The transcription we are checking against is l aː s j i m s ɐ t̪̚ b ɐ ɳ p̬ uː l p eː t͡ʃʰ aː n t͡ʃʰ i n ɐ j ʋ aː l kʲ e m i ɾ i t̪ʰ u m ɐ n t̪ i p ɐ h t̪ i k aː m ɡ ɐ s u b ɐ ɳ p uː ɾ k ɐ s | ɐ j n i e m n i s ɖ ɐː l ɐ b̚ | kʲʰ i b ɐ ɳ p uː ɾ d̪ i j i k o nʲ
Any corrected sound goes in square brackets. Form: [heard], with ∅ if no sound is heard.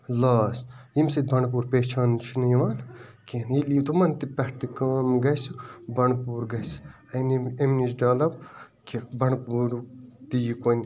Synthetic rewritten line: l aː s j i m s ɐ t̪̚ b ɐ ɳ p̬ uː [ɾ] p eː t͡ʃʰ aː n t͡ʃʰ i n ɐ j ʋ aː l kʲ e [n] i [l] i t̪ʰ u m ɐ n t̪ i p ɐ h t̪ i k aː m ɡ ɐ s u b ɐ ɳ p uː ɾ [ɡ] ɐ s | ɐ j n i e m n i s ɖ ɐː l ɐ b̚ | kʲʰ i b ɐ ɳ p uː ɾ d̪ i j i k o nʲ